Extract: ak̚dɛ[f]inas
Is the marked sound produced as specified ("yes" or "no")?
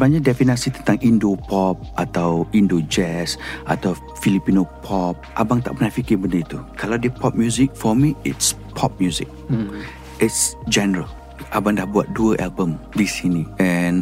yes